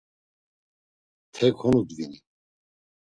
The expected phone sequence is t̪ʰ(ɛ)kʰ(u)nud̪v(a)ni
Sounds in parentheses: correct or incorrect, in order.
correct, incorrect: ɔ, incorrect: i

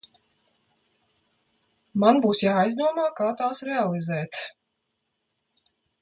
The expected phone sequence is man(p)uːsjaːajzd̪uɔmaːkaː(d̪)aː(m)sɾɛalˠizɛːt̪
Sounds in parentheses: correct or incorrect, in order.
incorrect: b, incorrect: t̪, incorrect: none

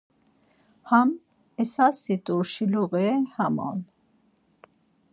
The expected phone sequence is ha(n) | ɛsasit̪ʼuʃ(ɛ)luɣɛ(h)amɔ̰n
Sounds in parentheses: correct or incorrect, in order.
incorrect: m, incorrect: i, correct

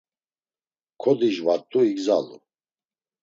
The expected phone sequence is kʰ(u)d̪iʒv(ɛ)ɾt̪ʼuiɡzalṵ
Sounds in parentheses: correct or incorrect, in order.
incorrect: ɔ, incorrect: a

